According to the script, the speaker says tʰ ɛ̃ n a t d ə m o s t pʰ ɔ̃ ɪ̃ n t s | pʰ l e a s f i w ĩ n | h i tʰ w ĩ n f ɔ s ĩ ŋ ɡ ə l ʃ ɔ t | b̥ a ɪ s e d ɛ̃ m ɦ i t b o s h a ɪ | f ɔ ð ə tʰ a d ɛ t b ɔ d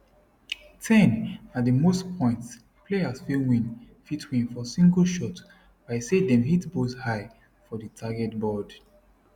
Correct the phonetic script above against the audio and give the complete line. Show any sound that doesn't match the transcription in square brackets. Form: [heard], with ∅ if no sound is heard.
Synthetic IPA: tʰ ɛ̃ n a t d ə m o s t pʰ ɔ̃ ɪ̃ n t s | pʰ l e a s f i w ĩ n | [f] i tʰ w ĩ n f ɔ s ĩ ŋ ɡ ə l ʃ ɔ t | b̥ a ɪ s e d ɛ̃ m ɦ i t b o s h a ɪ | f ɔ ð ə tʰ a [ɡ] ɛ t b ɔ d